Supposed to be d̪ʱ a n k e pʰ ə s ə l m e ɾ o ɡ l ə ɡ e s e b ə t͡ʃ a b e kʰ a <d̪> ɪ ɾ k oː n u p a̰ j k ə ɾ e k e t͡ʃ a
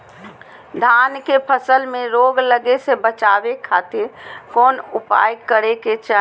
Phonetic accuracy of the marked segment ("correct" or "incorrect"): incorrect